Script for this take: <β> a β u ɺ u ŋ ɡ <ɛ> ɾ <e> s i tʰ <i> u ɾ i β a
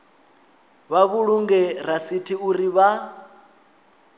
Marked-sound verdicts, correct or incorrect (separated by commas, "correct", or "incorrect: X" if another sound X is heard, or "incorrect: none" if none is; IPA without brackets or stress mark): correct, correct, incorrect: a, correct